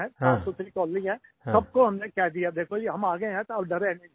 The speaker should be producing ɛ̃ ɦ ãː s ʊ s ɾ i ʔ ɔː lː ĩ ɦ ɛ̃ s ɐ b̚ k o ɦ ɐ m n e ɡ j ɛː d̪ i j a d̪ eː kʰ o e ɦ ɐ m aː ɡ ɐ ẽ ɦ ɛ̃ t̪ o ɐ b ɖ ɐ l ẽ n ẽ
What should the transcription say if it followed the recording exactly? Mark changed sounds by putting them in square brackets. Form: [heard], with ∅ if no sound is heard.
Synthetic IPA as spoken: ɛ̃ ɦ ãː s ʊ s ɾ i [k] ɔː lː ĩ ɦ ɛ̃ s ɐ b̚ k o ɦ ɐ m n e [k] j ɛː d̪ i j a d̪ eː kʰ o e ɦ ɐ m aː ɡ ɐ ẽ ɦ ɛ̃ t̪ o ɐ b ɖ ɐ [ɾ] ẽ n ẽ